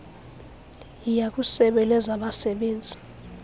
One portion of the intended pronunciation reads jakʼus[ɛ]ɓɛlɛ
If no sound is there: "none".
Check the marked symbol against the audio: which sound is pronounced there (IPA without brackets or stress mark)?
ɛ